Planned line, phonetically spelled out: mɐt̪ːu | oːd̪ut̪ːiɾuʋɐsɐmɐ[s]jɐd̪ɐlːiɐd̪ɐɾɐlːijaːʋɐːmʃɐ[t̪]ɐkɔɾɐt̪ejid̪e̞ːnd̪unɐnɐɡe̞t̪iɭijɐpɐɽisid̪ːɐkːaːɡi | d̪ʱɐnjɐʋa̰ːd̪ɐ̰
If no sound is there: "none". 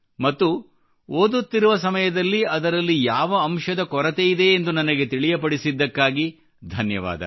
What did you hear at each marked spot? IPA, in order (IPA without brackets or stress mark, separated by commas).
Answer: none, d̪